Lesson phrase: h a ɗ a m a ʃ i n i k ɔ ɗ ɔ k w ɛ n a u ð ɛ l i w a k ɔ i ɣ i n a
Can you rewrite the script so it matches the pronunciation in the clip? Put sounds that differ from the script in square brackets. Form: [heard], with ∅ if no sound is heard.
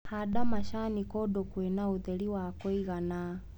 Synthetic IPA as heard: h a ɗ a m a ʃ [a] n i k ɔ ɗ ɔ k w ɛ n a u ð ɛ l i w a k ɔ i ɣ [a] n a